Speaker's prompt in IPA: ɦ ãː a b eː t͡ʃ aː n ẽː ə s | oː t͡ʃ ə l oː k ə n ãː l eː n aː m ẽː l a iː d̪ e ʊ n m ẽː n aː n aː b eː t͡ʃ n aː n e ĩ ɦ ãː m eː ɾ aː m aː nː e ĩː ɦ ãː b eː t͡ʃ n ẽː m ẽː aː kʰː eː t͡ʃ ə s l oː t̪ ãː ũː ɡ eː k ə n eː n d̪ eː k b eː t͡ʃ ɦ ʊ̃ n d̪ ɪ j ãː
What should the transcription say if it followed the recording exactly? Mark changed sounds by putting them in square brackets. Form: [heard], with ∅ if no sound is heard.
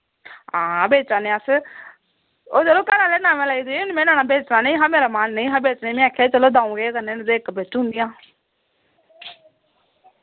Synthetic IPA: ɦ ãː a b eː t͡ʃ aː n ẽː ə s | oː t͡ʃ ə l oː k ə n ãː l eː n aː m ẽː l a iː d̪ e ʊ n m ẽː n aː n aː b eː t͡ʃ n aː n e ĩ ɦ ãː m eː ɾ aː m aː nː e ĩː ɦ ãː b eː t͡ʃ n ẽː m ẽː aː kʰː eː t͡ʃ ə [∅] l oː [d̪] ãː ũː ɡ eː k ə n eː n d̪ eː k b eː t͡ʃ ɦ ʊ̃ n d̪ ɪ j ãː